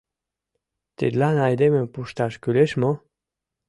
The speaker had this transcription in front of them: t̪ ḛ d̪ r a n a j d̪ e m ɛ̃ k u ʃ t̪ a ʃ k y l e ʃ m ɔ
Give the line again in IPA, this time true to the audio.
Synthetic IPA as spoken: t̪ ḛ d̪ l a n a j d̪ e m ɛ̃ p u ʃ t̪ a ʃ k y l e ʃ m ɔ